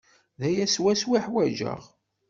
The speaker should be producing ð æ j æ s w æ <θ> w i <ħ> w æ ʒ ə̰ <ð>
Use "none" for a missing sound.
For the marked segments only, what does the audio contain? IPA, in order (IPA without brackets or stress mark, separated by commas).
s, ħ, ʁ